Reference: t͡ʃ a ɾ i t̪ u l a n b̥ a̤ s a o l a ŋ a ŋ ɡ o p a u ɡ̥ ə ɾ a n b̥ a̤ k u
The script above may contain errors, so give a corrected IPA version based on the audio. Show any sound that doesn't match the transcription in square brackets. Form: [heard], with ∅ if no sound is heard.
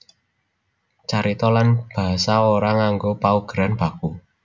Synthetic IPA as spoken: t͡ʃ a ɾ i t̪ [ɔ] l a n b̥ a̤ s a o [ɾ] a ŋ a ŋ ɡ o p a u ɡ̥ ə ɾ a n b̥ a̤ k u